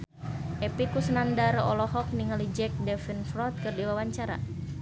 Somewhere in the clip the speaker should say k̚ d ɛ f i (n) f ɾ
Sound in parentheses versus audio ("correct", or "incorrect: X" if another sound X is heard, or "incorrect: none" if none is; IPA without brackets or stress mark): correct